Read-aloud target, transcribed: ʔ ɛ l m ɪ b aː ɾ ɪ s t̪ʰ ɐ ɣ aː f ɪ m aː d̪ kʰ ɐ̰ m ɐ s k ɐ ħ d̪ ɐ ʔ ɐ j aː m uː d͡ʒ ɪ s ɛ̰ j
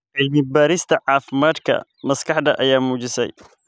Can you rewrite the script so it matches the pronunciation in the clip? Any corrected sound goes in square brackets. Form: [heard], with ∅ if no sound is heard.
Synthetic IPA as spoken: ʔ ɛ l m ɪ b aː ɾ ɪ s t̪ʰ ɐ [ʕ] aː f ɪ m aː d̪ kʰ ɐ̰ m ɐ s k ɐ ħ d̪ ɐ ʔ ɐ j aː m uː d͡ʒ ɪ s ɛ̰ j

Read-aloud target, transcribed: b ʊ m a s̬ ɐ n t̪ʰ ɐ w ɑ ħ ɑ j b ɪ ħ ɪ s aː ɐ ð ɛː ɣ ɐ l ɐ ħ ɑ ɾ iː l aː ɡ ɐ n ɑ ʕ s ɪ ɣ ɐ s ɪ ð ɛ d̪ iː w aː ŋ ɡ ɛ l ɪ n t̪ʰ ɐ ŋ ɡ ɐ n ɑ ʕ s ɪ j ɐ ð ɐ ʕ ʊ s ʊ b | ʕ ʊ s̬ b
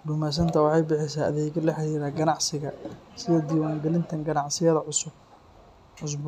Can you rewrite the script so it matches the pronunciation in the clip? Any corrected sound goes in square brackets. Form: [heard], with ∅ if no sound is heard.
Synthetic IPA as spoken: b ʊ m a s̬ ɐ n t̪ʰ ɐ w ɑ ħ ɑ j b ɪ ħ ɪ s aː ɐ ð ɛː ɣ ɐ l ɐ ħ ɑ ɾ iː [ɾ] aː ɡ ɐ n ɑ ʕ s ɪ ɣ ɐ s ɪ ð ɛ d̪ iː w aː ŋ ɡ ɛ l ɪ n t̪ʰ ɐ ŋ ɡ ɐ n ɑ ʕ s ɪ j ɐ ð ɐ ʕ ʊ s ʊ b | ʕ ʊ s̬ b

